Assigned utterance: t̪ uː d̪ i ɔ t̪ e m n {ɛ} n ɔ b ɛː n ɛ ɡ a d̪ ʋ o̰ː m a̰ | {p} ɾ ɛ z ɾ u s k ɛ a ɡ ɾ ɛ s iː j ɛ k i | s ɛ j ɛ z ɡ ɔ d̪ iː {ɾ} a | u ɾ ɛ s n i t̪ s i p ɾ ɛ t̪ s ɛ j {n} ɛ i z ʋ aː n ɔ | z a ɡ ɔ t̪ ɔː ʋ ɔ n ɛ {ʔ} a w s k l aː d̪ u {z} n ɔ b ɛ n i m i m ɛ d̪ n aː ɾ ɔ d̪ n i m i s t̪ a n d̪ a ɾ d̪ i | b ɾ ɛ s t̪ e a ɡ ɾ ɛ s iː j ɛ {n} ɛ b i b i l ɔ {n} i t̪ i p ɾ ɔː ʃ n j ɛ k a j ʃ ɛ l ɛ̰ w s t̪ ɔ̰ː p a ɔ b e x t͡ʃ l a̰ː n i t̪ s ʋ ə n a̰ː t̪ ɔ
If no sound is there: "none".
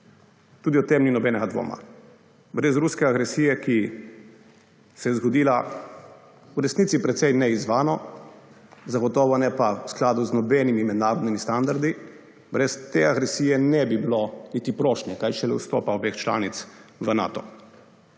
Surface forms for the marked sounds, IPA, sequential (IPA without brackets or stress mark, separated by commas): i, b, l, n, p, z, n, n